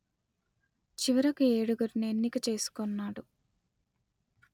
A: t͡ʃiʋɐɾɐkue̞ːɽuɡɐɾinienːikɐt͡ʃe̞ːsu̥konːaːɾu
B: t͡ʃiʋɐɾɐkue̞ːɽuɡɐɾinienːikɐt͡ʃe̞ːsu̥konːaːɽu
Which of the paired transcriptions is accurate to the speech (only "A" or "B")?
B